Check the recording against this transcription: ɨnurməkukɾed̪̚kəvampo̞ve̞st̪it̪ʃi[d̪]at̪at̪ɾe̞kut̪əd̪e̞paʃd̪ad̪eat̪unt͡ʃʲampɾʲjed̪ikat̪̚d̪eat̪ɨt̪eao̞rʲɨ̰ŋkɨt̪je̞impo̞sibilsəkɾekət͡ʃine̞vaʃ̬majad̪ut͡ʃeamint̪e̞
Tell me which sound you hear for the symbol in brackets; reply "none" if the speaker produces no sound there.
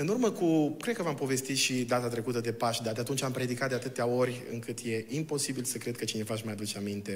d̪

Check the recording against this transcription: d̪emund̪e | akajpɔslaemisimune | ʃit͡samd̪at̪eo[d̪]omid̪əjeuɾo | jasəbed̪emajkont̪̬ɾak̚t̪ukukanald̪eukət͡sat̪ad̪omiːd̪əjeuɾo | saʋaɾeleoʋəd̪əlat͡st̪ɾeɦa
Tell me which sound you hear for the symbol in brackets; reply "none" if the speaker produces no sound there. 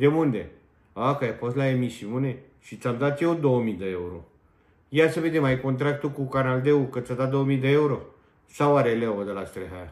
d̪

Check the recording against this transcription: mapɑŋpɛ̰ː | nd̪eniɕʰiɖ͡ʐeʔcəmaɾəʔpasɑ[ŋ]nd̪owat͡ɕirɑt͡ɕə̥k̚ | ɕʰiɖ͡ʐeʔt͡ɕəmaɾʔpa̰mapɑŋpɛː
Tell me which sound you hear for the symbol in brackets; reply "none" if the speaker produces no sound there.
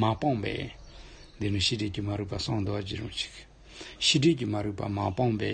ŋ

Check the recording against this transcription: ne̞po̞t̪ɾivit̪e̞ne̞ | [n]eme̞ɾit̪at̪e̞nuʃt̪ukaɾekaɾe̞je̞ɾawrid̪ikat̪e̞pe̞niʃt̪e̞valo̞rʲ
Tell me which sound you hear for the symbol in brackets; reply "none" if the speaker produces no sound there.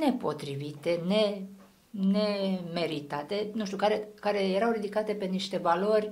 n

